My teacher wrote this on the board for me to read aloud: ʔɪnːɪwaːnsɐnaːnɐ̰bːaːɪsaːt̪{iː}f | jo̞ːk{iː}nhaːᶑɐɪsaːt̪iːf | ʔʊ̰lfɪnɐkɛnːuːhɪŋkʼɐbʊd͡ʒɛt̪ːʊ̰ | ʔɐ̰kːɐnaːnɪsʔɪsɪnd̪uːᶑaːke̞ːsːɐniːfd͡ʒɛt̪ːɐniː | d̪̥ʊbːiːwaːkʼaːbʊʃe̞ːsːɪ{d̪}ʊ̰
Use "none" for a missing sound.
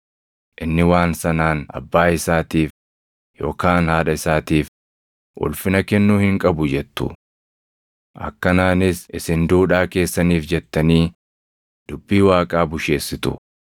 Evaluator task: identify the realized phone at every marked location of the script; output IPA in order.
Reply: iː, aː, t̪

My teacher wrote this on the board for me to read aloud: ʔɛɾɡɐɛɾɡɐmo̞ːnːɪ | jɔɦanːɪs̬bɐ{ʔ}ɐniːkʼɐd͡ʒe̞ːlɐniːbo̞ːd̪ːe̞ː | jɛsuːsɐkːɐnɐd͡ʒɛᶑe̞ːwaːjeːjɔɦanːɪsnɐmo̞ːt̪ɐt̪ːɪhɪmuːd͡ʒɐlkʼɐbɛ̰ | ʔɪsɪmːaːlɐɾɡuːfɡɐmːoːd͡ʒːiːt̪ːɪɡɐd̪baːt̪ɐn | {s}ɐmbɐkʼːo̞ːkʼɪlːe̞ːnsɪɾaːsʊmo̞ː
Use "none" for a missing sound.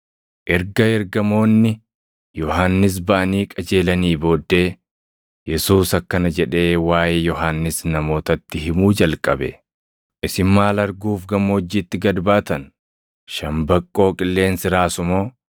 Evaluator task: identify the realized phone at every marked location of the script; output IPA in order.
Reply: ʔ, ʃ

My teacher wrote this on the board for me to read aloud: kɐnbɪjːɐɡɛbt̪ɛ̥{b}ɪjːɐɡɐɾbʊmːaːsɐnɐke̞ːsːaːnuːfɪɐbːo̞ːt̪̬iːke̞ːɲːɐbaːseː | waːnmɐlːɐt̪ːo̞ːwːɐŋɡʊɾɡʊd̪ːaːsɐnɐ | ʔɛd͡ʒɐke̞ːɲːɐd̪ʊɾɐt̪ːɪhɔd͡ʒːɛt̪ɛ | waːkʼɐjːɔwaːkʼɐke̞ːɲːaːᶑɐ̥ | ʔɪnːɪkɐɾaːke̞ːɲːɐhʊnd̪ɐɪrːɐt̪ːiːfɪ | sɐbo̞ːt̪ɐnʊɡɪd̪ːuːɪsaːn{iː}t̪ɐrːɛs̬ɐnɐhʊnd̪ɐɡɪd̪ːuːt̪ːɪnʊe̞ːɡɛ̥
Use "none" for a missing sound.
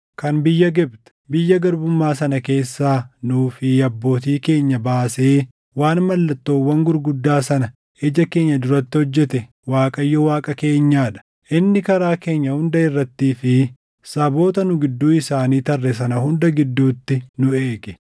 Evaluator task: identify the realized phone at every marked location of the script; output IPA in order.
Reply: b, iː

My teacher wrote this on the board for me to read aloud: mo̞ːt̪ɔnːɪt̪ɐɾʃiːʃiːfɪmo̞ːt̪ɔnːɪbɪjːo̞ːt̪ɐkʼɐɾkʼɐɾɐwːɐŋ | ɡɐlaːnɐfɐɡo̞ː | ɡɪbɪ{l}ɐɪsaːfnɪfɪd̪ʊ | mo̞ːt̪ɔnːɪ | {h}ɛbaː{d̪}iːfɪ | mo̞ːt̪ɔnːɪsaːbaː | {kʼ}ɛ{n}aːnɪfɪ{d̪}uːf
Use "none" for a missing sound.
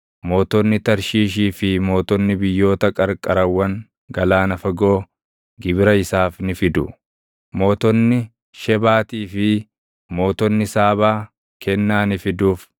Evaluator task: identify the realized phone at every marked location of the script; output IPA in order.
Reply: ɾ, ʃ, t̪, k, nː, d̪

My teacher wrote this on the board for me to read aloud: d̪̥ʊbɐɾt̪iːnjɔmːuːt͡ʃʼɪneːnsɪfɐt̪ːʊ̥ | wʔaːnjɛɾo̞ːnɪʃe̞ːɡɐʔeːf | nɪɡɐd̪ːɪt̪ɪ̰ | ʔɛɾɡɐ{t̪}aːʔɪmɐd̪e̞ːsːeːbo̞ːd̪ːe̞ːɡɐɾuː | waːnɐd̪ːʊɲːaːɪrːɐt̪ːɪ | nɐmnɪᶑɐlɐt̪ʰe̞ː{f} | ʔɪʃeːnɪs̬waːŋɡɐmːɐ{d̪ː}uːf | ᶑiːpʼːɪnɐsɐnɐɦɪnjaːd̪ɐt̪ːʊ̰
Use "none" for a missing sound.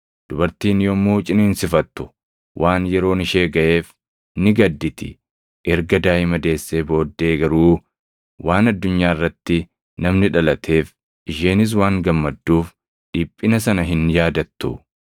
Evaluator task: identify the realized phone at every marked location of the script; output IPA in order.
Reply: d̪, f, d̪ː

